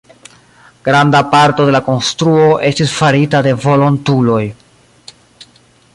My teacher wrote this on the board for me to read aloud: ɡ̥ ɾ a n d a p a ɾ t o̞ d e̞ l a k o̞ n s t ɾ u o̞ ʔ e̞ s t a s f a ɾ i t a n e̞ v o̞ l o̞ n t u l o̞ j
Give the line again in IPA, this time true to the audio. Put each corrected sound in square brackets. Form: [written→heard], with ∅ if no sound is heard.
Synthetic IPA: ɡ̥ ɾ a n d a p a ɾ t o̞ d e̞ l a k o̞ n s t ɾ u o̞ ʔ e̞ s t [a→i] s f a ɾ i t a [n→d] e̞ v o̞ l o̞ n t u l o̞ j